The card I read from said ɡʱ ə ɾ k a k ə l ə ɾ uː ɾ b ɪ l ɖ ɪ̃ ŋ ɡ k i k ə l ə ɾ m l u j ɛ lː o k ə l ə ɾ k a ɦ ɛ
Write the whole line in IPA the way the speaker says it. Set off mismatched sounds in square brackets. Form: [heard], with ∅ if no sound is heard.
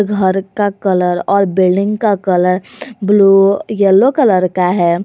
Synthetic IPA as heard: ɡʱ ə ɾ k a k ə l ə ɾ [ɔː] ɾ b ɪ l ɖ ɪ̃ ŋ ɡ k [a] k ə l ə ɾ [b] l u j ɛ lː o k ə l ə ɾ k a ɦ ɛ